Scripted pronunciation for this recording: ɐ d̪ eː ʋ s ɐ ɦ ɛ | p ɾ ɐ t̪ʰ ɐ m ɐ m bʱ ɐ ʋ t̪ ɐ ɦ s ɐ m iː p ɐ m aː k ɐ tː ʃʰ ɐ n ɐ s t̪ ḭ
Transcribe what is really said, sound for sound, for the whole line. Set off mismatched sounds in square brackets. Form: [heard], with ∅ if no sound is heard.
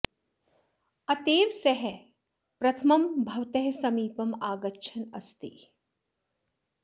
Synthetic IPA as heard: ɐ [t̪] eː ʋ s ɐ ɦ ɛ | p ɾ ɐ t̪ʰ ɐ m ɐ m bʱ ɐ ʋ t̪ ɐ ɦ s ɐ m iː p ɐ m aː [ɡ] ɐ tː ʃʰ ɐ n ɐ s t̪ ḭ